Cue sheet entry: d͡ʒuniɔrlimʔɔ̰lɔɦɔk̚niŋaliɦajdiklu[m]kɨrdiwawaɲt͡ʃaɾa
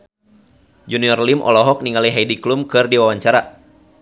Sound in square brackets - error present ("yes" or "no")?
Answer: no